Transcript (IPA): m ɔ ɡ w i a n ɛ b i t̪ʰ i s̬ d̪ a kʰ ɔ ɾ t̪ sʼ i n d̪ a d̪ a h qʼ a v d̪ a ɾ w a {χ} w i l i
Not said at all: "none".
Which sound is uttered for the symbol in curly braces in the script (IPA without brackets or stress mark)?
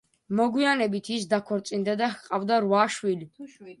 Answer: ʃ